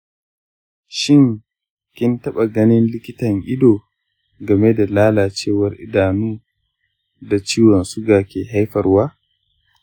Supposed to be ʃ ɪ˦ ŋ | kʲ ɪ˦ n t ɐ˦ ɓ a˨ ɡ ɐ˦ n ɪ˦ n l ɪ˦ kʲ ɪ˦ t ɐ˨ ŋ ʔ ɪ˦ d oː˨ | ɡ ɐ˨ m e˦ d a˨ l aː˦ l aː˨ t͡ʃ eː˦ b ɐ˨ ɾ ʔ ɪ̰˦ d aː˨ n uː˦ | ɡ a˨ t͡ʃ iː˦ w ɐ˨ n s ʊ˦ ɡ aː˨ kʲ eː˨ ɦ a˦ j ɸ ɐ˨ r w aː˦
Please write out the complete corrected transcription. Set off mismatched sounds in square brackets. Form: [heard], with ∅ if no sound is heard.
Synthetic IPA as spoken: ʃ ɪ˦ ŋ | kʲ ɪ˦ n t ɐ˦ ɓ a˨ ɡ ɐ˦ n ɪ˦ n l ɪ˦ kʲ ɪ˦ t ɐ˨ ŋ ʔ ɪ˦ d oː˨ | ɡ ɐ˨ m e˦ d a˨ l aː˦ l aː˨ t͡ʃ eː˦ [w] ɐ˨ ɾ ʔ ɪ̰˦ d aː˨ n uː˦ | [d] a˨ t͡ʃ iː˦ w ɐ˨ n s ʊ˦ ɡ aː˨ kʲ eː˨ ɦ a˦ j ɸ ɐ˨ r w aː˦